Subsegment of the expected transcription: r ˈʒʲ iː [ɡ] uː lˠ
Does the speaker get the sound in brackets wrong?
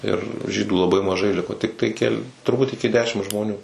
yes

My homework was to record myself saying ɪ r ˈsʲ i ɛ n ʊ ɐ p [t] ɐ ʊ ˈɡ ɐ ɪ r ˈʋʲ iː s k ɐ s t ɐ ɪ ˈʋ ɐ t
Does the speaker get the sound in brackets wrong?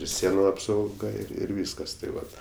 yes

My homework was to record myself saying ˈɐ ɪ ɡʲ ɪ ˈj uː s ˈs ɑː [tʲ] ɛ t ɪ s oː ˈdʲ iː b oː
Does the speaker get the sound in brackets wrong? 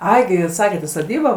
yes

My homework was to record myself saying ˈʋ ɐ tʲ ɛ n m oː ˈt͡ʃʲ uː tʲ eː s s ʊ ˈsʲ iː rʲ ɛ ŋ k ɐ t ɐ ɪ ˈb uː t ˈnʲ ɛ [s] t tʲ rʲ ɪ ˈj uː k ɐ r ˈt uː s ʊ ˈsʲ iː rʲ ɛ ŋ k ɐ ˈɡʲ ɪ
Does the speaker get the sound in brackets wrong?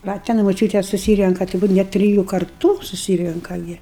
yes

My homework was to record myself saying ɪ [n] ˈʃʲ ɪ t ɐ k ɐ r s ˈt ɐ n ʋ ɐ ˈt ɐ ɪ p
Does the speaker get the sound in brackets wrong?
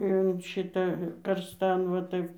no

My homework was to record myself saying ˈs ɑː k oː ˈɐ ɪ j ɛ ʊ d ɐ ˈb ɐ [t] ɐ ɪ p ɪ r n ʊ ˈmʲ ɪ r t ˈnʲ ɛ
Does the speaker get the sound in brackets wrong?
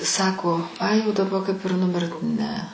yes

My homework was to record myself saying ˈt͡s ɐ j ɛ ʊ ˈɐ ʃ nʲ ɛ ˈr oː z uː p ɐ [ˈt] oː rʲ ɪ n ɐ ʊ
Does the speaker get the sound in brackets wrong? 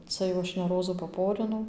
yes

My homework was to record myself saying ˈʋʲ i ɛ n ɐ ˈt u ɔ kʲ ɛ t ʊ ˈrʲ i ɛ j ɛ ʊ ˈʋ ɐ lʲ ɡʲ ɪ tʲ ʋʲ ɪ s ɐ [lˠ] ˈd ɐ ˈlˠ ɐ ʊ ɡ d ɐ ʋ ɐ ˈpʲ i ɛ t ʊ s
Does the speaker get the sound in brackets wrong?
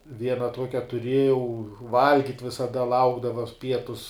yes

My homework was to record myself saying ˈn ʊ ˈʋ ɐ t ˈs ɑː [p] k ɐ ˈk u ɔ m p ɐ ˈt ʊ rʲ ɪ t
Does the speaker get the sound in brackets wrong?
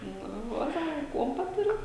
yes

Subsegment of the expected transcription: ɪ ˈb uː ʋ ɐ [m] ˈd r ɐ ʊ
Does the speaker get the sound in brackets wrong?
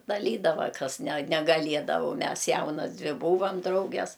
no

